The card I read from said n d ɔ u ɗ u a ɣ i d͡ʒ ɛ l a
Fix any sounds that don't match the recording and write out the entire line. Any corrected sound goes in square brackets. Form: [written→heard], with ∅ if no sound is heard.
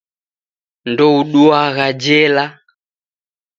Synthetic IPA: n d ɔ u ɗ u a ɣ [i→a] d͡ʒ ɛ l a